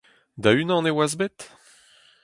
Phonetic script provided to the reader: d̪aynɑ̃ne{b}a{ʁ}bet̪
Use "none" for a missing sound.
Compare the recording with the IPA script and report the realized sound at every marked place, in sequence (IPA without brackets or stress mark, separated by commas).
w, z